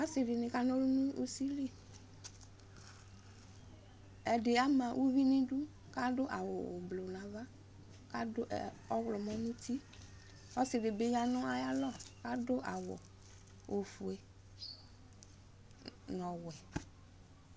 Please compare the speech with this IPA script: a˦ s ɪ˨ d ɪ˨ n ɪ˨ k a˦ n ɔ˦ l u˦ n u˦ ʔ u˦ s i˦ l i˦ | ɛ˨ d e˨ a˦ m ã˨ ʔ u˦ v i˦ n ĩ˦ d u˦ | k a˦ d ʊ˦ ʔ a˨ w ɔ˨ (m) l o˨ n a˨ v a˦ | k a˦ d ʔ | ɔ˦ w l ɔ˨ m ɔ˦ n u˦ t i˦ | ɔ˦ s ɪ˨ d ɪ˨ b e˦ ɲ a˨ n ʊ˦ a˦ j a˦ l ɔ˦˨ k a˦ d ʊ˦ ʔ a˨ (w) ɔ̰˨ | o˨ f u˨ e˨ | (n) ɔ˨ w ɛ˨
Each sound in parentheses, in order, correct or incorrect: incorrect: b, correct, correct

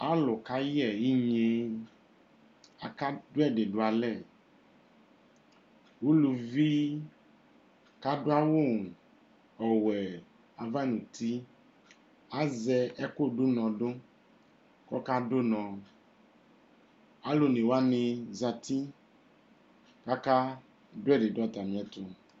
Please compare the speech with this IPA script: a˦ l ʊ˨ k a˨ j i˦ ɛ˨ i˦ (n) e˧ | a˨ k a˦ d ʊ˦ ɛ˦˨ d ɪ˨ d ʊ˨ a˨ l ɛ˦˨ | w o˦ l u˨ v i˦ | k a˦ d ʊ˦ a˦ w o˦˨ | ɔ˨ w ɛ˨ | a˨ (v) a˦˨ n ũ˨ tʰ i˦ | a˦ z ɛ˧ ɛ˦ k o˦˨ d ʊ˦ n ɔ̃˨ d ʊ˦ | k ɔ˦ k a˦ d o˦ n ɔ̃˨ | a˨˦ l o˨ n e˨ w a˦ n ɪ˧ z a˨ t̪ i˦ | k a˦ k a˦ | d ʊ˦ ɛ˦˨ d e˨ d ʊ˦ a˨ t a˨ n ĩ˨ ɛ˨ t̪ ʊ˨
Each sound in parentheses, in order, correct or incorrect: incorrect: ɲ, correct

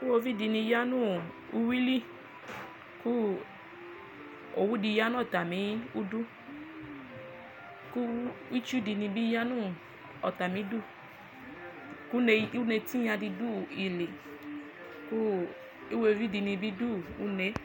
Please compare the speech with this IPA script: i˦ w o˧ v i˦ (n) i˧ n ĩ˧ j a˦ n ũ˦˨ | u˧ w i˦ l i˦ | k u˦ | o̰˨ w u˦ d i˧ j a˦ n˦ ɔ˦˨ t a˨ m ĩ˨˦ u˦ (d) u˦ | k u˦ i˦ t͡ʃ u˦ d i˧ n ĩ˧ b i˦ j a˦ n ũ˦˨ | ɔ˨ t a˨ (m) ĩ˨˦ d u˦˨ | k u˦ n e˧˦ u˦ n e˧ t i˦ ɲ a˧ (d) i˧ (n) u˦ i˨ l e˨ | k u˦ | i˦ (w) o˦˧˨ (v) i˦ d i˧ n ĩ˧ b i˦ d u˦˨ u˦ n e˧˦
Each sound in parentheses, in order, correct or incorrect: incorrect: d, correct, correct, correct, incorrect: d, correct, correct

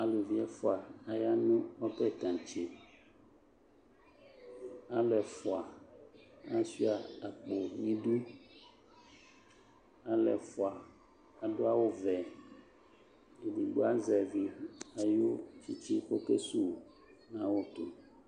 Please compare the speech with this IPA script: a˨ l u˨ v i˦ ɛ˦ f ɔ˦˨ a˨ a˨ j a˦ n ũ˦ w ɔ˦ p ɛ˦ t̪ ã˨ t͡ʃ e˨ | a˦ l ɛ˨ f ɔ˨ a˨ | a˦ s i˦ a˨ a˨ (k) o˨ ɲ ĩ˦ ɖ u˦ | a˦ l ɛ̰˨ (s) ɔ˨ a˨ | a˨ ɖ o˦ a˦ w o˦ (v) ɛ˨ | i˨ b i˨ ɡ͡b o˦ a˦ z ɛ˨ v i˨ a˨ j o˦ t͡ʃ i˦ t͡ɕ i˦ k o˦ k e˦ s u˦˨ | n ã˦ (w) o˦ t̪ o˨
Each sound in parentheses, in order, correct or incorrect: incorrect: k͡p, incorrect: f, correct, correct

